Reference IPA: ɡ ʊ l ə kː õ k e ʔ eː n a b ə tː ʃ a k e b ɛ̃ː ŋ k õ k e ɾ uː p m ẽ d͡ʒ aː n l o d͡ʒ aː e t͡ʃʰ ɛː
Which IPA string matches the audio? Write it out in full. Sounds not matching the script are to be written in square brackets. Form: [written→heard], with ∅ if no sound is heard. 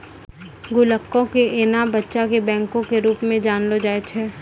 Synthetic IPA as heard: ɡ ʊ l ə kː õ k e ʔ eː n a b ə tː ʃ a k e b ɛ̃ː ŋ k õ k e ɾ uː p m ẽ d͡ʒ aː n l o d͡ʒ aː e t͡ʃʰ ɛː